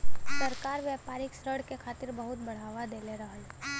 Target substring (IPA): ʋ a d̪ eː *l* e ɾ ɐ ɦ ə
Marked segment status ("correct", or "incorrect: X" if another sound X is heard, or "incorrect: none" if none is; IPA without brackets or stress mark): correct